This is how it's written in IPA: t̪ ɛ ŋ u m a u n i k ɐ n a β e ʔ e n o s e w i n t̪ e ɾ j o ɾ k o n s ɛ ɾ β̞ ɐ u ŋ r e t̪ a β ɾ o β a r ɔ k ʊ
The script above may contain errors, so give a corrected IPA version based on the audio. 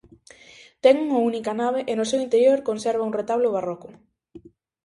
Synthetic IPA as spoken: t̪ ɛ ŋ u ŋ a u n i k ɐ n a β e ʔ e n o s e w i n t̪ e ɾ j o ɾ k o n s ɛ ɾ β̞ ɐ u ŋ r e t̪ a β l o β a r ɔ k ʊ